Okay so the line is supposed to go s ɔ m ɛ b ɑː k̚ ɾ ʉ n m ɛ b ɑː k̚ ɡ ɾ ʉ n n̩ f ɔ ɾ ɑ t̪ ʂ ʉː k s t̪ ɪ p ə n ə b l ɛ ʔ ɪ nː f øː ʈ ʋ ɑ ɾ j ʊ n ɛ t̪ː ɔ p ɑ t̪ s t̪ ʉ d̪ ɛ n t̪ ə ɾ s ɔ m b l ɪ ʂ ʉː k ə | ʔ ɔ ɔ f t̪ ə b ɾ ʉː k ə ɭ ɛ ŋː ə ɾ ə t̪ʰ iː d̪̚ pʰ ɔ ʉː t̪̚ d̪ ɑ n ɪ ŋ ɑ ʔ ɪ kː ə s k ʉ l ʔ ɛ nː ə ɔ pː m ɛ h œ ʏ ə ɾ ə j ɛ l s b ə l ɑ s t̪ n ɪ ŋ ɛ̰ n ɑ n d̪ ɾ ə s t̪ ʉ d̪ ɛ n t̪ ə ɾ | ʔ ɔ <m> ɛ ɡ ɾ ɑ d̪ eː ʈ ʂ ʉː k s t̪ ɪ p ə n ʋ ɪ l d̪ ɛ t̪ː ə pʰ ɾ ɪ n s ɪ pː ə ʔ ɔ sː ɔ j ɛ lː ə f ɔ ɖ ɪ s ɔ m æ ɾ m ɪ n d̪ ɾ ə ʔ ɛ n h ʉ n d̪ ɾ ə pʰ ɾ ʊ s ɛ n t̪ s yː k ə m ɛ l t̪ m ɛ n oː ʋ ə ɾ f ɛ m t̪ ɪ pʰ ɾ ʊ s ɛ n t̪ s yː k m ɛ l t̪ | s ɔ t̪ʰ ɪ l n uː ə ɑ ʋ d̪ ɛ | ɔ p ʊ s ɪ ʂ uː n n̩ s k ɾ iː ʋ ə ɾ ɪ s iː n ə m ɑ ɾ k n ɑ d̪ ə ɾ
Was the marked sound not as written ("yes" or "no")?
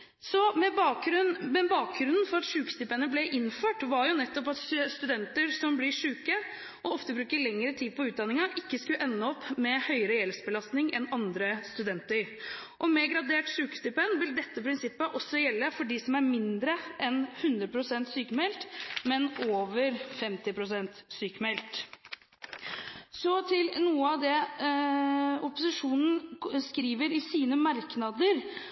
no